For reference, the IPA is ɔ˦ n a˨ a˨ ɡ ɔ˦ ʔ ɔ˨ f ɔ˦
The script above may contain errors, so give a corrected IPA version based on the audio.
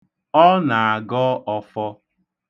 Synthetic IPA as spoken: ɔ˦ n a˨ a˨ ɡ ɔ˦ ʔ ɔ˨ f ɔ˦